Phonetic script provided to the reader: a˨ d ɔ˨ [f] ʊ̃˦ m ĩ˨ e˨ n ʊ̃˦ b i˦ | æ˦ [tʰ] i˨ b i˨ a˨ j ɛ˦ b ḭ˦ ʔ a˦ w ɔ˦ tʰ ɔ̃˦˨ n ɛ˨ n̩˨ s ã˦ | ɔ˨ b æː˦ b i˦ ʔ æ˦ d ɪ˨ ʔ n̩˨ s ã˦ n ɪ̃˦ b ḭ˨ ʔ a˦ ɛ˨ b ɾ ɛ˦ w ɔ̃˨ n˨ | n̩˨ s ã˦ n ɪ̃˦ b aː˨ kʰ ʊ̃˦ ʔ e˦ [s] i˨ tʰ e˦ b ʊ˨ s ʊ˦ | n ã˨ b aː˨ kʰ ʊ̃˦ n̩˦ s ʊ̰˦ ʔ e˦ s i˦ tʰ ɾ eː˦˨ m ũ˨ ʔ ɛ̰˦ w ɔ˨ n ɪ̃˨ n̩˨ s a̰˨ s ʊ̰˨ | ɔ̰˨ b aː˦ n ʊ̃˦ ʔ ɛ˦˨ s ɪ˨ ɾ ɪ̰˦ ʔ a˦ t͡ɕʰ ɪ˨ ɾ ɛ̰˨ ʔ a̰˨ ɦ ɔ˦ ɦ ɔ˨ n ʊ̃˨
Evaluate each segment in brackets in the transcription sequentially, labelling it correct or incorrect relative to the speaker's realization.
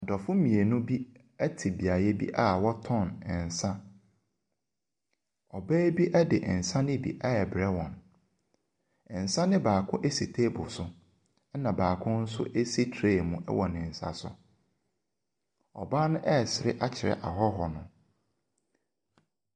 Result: correct, correct, correct

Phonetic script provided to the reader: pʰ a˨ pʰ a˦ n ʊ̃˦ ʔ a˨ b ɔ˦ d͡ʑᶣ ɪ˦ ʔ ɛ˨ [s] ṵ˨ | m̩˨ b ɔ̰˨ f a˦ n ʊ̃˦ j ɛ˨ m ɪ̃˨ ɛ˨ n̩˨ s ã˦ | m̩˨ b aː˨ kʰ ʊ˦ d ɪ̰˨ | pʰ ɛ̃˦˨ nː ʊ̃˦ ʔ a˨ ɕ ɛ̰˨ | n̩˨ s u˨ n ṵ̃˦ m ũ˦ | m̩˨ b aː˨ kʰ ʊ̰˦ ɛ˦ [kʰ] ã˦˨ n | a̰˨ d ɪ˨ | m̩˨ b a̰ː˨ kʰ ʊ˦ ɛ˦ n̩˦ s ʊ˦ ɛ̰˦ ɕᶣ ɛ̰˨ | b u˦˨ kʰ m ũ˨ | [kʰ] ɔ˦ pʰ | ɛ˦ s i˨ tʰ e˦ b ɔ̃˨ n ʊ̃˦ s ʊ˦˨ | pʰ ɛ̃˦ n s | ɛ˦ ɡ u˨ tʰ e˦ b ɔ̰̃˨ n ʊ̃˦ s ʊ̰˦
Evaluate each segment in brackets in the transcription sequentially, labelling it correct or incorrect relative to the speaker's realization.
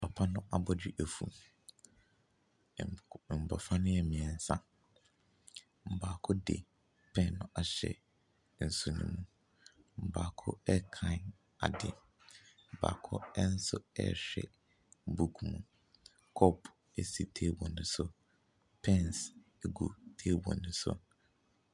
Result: incorrect: f, correct, correct

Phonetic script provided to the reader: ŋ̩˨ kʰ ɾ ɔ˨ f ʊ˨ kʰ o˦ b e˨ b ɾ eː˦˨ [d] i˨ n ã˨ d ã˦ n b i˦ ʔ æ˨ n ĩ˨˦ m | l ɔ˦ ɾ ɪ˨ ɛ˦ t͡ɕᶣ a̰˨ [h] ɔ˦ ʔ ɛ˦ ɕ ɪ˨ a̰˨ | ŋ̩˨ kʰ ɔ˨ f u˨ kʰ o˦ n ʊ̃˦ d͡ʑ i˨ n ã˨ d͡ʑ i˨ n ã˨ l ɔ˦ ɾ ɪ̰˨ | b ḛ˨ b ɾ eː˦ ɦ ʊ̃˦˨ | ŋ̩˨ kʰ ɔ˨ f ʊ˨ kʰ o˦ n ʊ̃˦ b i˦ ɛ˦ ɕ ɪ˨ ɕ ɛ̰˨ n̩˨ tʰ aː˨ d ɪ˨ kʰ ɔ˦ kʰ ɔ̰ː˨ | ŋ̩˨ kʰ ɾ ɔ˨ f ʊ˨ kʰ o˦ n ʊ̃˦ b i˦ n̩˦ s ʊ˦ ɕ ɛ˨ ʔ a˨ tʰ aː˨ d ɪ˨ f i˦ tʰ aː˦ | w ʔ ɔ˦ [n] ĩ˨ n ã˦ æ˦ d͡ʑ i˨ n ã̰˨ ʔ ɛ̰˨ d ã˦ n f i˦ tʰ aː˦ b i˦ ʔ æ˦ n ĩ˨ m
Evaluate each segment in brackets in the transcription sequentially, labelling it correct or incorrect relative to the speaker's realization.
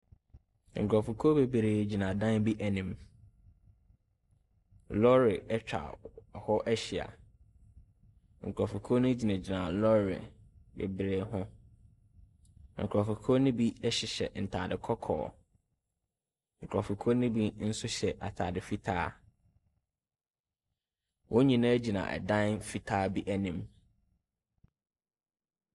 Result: incorrect: d͡ʑ, correct, incorrect: ɲ

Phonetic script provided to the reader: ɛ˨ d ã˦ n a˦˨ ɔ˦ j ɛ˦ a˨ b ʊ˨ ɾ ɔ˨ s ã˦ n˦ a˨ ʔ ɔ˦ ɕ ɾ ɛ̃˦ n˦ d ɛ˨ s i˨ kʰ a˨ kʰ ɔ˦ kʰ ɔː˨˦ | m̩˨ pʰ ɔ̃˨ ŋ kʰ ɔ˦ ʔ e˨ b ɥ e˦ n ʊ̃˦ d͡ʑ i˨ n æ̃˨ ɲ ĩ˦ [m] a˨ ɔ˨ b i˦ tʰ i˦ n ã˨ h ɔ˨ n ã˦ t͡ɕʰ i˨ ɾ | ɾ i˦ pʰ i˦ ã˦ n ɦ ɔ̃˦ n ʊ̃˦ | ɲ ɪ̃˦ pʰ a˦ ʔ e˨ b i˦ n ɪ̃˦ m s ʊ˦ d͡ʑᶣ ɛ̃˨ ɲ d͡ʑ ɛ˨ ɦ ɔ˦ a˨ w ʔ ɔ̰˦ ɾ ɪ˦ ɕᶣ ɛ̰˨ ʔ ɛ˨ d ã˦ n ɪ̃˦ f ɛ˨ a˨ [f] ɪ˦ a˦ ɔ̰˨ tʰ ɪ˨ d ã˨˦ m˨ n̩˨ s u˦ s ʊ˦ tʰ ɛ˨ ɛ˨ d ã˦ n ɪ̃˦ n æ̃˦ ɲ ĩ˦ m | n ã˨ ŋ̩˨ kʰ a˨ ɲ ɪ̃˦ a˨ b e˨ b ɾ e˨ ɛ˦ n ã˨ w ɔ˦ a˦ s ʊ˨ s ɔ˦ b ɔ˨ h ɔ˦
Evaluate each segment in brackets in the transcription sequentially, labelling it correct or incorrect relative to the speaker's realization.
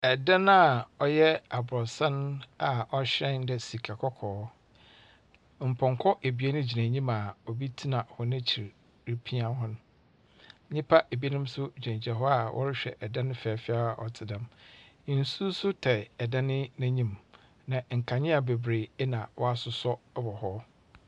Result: correct, correct

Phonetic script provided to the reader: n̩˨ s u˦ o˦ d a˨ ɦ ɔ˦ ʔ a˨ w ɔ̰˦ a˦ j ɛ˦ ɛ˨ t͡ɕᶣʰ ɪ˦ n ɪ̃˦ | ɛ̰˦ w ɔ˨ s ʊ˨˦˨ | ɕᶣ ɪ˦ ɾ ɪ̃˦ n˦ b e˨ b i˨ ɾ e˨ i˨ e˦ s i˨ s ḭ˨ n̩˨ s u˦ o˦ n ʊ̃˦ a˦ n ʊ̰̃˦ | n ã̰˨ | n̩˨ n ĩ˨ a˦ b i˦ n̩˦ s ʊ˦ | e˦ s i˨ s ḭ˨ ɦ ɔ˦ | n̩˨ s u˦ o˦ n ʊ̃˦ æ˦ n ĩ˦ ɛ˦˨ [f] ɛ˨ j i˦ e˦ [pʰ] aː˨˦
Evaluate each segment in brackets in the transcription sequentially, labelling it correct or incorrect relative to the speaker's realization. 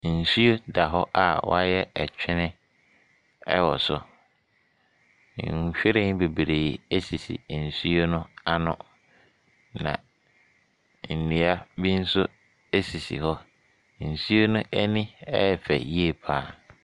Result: correct, correct

